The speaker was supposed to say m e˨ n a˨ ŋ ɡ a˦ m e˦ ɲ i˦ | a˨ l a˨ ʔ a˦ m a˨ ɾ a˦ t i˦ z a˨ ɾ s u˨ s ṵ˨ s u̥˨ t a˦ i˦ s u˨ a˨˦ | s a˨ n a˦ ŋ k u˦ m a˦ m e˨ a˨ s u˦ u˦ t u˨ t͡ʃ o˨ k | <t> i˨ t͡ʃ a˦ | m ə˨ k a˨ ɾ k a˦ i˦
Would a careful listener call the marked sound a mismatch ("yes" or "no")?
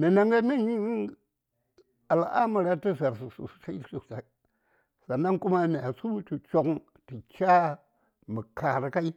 no